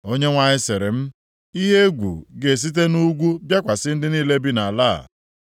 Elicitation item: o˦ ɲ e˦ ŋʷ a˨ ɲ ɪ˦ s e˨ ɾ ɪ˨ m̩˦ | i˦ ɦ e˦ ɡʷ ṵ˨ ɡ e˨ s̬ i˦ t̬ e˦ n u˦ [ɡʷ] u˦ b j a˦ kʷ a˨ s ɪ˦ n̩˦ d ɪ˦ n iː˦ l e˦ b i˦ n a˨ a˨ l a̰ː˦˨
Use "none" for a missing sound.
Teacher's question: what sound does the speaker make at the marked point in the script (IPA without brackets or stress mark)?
ɡʷ